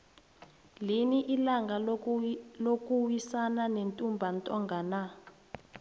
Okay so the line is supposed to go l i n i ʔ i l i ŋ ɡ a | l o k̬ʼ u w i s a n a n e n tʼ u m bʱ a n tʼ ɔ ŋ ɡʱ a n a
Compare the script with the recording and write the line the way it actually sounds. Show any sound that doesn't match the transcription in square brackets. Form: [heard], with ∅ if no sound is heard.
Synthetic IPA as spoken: l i n i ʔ i l [a] ŋ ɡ a | l o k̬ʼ u w i s a n a n e n tʼ u m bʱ a n tʼ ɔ ŋ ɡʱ a n a